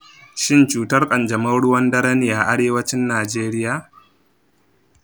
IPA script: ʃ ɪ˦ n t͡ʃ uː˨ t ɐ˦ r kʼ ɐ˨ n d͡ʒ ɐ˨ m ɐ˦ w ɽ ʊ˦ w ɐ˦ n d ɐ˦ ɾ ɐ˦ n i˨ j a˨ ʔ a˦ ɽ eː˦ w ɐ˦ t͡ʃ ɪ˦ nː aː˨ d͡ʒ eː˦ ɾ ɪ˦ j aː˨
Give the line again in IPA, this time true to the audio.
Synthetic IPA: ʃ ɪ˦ n t͡ʃ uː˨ t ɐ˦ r kʼ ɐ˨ n d͡ʒ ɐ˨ m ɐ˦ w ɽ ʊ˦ w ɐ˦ n d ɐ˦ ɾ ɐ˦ n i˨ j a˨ ʔ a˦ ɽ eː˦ w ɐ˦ t͡ʃ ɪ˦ nː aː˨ d͡ʒ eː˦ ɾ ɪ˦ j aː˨